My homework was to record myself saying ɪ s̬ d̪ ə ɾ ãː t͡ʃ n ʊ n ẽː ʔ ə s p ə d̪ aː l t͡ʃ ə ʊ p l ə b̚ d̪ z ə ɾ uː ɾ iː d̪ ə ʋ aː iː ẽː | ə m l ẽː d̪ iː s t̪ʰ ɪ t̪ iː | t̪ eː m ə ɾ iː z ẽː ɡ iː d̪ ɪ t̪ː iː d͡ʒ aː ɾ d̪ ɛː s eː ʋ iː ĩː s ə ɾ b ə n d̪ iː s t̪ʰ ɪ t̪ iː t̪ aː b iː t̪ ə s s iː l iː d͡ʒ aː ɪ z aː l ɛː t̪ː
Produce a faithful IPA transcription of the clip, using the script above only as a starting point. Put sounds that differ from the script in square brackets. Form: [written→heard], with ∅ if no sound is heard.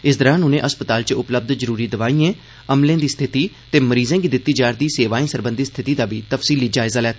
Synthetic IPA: ɪ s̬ d̪ ə ɾ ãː [t͡ʃ→∅] n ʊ n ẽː ʔ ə s p ə [d̪→t̪] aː l t͡ʃ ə ʊ p l ə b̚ d̪ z ə ɾ uː ɾ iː d̪ ə ʋ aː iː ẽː | ə m l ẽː d̪ iː s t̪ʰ ɪ t̪ iː | t̪ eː m ə ɾ iː z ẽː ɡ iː d̪ ɪ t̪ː iː d͡ʒ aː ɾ d̪ [ɛː→iː] s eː ʋ [iː→aː] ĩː s ə ɾ b ə n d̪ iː s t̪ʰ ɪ t̪ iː [t̪→d̪] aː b iː t̪ ə [s→f] s iː l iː d͡ʒ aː ɪ z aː l ɛː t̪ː